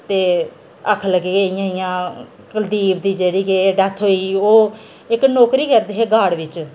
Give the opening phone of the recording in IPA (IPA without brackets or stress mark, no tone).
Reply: t̪